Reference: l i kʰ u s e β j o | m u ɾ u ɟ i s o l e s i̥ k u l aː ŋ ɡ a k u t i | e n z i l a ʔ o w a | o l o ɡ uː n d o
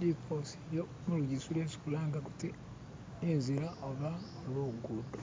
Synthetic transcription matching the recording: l i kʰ o s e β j o | m u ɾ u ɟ i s u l e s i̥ k u l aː ŋ ɡ a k u t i | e n z i ɾ a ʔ o β a | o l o ɡ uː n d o